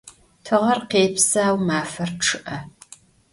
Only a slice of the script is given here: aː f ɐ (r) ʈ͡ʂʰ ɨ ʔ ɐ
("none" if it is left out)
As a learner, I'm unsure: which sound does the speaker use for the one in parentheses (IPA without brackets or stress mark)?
r